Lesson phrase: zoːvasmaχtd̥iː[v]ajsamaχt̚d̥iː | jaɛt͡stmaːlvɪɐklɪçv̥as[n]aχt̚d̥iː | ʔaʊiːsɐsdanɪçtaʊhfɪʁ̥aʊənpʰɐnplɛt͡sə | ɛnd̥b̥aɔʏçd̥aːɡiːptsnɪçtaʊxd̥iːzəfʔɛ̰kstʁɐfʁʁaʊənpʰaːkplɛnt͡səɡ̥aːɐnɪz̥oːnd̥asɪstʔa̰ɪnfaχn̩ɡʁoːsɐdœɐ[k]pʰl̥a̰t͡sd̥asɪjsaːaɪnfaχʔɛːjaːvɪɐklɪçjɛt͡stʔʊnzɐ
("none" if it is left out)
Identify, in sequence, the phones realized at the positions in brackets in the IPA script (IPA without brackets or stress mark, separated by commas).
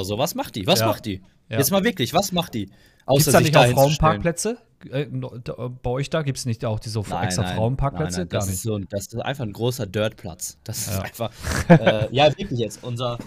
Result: v, m, t